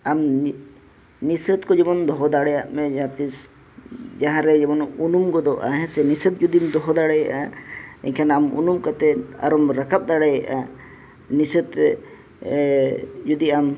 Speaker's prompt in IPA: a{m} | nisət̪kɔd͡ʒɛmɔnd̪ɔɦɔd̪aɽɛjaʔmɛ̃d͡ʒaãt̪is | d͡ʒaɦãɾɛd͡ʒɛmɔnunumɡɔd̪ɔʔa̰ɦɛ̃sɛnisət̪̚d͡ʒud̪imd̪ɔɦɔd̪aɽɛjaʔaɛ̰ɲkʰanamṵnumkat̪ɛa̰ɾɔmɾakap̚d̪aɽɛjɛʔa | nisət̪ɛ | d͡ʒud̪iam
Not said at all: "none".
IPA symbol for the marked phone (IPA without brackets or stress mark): m